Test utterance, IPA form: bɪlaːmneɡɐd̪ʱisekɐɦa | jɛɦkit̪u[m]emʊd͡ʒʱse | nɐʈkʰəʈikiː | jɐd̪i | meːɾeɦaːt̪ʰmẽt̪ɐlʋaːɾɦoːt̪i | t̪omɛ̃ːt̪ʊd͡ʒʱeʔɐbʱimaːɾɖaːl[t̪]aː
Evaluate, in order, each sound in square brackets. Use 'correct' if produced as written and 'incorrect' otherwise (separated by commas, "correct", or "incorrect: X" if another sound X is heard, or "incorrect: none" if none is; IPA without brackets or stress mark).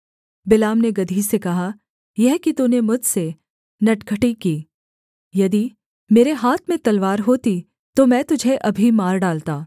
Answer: incorrect: n, correct